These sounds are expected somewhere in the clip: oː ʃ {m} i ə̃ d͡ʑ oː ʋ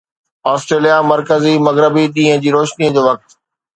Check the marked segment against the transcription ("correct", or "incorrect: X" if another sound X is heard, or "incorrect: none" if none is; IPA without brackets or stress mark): incorrect: n